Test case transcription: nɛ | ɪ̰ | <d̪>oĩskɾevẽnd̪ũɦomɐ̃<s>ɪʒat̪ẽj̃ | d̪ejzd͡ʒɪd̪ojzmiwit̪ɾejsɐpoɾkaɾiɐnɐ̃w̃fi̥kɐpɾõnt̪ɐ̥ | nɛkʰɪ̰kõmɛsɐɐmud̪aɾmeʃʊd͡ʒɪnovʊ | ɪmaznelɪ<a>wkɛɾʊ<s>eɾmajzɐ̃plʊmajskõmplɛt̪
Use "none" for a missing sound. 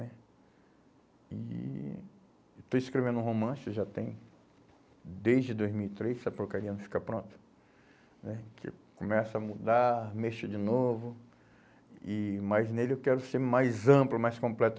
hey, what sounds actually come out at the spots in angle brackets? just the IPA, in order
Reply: t̪, s, e, s

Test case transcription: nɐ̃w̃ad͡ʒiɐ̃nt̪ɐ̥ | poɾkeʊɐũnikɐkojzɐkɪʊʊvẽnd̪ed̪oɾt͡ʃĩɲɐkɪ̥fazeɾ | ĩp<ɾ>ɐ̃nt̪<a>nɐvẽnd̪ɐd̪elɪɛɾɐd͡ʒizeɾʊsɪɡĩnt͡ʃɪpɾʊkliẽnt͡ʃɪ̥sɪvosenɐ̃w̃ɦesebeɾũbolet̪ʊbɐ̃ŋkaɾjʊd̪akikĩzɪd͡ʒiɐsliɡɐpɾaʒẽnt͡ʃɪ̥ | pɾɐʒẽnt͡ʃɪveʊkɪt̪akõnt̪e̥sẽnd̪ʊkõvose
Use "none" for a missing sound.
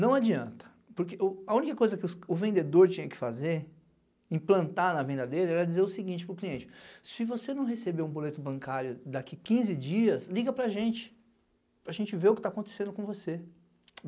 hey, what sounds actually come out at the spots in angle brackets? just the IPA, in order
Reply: l, a

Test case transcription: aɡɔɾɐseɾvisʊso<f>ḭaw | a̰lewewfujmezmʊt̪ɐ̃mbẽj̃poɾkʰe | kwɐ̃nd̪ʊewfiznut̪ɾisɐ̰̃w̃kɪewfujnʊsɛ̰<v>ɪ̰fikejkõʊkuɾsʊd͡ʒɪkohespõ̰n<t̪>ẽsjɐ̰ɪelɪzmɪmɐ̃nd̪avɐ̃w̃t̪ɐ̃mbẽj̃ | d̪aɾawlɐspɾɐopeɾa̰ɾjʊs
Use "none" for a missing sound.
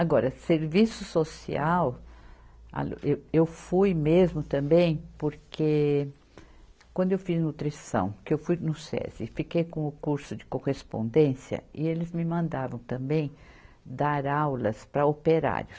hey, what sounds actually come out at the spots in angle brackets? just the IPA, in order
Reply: s, z, d̪

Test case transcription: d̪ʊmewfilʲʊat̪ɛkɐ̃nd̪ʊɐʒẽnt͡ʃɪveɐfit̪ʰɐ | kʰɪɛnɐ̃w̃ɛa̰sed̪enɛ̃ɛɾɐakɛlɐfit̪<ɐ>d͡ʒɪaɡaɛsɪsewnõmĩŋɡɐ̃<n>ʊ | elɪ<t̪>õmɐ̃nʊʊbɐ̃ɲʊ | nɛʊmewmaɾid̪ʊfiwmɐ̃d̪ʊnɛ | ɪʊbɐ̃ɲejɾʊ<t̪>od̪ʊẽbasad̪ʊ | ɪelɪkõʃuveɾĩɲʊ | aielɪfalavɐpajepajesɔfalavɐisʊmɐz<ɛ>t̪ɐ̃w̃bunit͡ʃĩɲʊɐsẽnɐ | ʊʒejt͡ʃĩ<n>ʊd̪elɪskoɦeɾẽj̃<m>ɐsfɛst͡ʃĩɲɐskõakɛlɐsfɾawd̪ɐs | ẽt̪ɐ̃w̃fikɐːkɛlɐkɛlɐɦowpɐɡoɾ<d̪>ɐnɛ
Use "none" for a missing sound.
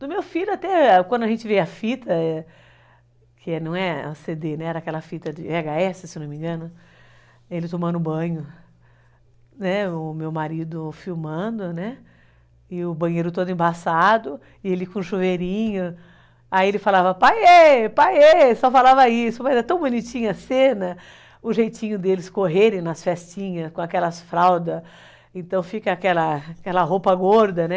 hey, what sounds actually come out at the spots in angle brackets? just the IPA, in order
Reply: ɐ, n, t̪, t̪, ɛ, ɲ, n, d̪

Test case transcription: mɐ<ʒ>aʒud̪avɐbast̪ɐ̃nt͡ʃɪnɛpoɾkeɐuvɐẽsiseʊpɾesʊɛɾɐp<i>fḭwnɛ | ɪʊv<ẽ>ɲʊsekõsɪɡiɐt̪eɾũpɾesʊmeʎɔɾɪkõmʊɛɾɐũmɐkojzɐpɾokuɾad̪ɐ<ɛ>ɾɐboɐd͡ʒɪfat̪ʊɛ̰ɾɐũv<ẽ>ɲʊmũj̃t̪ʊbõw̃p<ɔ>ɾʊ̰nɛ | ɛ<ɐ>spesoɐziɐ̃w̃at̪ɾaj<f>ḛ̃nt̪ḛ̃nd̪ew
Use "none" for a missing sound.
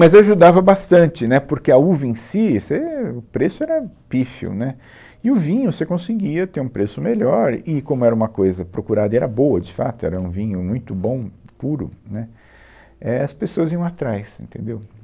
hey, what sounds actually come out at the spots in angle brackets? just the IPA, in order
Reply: z, i, ĩ, ɛ, ĩ, u, ɐ, s

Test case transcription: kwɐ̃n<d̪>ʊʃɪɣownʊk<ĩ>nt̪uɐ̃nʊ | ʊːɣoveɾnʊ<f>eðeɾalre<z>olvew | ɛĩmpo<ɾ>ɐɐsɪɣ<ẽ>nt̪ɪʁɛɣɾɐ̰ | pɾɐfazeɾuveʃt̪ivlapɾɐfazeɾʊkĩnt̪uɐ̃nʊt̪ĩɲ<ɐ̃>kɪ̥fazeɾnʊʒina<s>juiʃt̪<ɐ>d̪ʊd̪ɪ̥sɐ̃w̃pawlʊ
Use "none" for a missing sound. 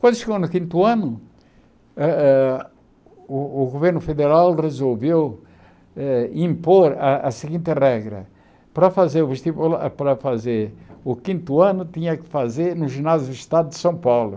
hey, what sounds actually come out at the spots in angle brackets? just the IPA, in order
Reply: d̪, ĩ, f, z, ɾ, ĩ, ɐ, z, a

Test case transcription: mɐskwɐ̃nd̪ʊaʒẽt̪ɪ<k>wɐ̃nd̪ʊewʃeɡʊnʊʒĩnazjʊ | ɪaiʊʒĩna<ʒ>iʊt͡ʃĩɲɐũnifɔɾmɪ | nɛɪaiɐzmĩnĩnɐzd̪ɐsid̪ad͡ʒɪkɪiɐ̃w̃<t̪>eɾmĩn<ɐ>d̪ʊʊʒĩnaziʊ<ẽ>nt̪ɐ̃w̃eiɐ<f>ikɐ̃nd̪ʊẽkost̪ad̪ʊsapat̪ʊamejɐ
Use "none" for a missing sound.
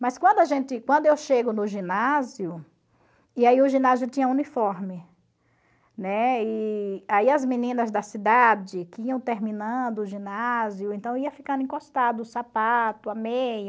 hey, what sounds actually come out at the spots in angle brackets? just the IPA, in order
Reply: k, z, t̪, ɐ̃, ẽ, f

